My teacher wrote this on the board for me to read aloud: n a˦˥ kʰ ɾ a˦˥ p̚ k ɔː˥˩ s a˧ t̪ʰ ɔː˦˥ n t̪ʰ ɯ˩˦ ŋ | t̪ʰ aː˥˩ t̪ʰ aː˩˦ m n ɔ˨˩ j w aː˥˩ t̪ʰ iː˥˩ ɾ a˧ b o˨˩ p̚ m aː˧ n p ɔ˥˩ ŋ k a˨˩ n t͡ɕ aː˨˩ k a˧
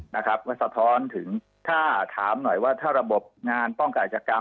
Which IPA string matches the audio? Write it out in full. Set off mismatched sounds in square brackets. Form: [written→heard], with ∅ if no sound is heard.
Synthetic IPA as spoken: n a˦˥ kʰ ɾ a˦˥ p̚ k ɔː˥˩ s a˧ t̪ʰ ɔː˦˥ n t̪ʰ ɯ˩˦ ŋ | t̪ʰ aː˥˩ t̪ʰ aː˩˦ m n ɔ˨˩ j w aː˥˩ t̪ʰ [iː˥˩→aː˥˩] ɾ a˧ b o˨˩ p̚ [m→ŋ] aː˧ n p ɔ˥˩ ŋ k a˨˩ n t͡ɕ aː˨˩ k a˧